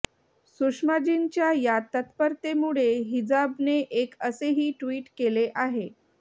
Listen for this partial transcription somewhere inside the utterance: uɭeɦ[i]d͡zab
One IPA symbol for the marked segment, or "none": i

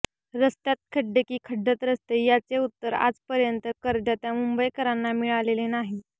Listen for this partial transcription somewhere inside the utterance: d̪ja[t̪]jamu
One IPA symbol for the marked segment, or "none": t̪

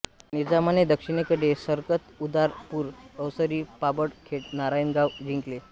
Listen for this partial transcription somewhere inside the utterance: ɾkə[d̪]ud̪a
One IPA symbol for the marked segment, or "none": t̪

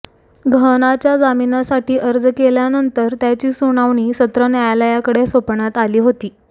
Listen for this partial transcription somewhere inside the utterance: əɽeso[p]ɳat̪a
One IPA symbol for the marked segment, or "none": p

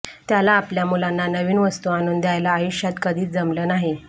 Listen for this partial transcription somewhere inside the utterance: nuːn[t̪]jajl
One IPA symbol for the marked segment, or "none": d̪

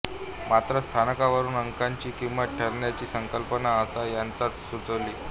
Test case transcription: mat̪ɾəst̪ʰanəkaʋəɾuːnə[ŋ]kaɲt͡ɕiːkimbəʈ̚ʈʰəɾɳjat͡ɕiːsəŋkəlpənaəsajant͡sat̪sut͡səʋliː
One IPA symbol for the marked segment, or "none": ŋ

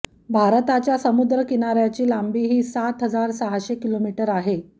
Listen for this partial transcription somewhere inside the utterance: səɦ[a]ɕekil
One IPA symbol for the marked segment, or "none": a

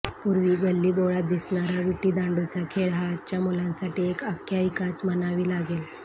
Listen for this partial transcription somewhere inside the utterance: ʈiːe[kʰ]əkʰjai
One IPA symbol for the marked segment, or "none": k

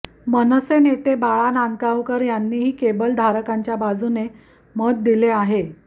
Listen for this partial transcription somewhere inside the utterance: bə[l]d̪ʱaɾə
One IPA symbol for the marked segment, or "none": l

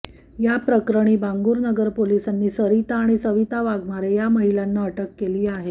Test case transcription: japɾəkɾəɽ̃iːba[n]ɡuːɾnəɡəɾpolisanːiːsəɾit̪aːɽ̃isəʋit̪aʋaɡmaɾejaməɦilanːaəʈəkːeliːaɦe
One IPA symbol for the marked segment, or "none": ŋ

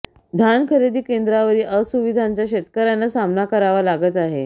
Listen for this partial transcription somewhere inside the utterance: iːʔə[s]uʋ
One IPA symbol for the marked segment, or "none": s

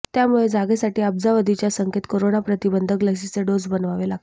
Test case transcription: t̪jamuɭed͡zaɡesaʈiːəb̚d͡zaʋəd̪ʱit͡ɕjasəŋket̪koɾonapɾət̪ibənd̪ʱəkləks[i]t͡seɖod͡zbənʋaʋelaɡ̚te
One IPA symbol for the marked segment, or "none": i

